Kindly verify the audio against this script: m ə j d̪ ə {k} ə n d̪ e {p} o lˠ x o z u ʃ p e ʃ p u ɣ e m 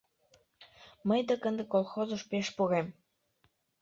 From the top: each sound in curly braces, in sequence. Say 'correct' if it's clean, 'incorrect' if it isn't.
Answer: correct, incorrect

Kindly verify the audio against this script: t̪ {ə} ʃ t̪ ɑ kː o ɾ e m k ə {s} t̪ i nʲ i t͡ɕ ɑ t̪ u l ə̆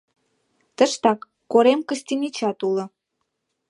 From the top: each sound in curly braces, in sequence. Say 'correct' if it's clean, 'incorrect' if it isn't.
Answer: correct, correct

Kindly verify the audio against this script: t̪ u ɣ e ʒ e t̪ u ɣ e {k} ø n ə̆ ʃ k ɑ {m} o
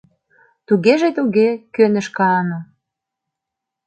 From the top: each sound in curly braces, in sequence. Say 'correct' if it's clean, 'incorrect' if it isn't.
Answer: correct, incorrect

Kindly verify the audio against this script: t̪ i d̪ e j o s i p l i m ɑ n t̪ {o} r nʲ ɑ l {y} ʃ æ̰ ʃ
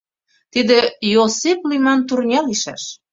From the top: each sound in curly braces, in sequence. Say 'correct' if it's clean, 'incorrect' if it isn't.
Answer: incorrect, incorrect

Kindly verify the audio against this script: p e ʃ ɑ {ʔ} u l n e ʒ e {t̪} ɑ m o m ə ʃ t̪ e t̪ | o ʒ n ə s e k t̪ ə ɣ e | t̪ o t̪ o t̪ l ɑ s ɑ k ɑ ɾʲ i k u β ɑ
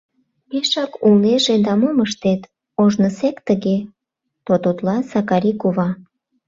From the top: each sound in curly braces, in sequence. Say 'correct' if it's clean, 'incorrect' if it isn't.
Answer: incorrect, incorrect

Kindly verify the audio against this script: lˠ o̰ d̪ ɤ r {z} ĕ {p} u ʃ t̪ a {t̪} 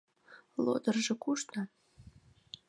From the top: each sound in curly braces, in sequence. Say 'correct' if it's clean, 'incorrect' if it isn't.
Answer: incorrect, incorrect, incorrect

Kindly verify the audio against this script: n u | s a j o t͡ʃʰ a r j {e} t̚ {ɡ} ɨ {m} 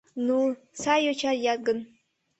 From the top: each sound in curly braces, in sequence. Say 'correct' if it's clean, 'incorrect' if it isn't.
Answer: incorrect, correct, incorrect

